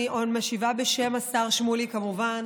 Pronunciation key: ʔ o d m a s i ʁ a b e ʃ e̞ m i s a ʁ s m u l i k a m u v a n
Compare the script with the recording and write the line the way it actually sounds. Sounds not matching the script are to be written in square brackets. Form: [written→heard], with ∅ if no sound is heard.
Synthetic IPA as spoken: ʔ o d m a [s→ʃ] i [ʁ→v] a b e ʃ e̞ m [i→a] s a ʁ [s→ʃ] m u l i k a m u v a n

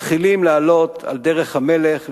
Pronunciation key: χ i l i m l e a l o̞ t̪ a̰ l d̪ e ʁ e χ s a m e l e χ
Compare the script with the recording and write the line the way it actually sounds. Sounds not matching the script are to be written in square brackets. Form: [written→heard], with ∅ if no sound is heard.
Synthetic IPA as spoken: χ i l i m l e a l o̞ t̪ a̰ l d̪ e ʁ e χ [s→h] a m e l e χ

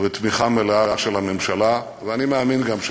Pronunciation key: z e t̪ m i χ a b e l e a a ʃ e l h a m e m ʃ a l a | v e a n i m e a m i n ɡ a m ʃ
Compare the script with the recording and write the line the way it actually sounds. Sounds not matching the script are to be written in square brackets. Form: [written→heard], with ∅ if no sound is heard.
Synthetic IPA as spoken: [z→v] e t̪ m i χ a [b→m] e l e a a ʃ e l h a m e m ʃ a l a | v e a n i m e a m i n ɡ a m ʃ

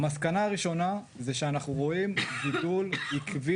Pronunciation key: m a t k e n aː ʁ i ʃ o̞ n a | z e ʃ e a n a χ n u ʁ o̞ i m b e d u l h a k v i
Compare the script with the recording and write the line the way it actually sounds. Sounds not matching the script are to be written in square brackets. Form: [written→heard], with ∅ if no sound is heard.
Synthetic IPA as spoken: m a [t→s] k [e→a] n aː ʁ i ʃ o̞ n a | z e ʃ e a n a χ n u ʁ o̞ i m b [e→i] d u l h [a→i] k v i

